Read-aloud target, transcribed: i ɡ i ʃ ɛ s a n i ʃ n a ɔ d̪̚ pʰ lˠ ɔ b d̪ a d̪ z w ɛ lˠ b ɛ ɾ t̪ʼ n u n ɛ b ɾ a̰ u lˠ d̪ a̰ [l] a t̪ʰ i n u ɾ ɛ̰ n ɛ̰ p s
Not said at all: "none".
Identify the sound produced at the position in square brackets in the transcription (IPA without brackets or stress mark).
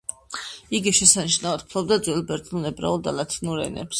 l